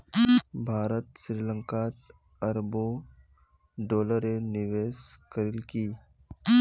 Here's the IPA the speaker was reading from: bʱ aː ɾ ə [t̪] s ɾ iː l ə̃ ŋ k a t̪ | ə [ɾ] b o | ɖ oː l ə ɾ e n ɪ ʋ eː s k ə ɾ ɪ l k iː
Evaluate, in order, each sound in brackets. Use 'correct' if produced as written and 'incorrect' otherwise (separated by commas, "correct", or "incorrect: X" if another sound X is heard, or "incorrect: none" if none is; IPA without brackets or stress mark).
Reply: correct, correct